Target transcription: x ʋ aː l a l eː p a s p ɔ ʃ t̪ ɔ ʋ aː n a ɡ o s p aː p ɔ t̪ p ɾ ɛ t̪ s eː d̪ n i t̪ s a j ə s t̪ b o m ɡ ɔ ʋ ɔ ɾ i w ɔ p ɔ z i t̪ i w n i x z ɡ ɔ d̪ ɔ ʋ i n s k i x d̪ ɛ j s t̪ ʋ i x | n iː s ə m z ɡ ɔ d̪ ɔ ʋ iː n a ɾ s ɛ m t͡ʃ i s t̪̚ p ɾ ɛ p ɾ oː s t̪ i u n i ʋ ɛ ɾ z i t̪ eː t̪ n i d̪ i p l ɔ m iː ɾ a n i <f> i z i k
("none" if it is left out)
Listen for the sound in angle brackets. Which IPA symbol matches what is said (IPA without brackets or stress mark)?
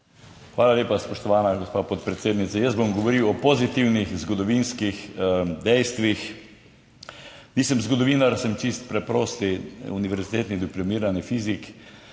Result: f